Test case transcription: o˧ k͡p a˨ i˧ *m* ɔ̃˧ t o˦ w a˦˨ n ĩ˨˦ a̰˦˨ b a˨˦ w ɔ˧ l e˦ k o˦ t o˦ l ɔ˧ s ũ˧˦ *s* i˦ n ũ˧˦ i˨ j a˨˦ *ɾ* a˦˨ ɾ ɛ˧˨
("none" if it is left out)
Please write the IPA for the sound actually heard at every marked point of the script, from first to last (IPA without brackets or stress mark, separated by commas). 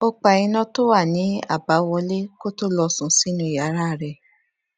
n, s, ɾ